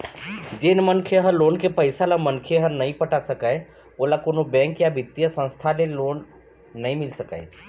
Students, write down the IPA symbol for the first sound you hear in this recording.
d͡ʒ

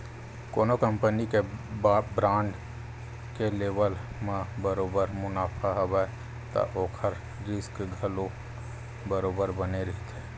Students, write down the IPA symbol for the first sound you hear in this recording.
k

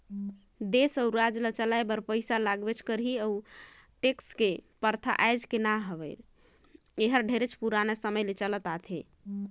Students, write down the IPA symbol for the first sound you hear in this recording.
d̪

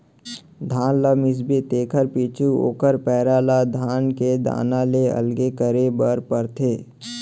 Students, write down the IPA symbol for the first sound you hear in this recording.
d̪ʱ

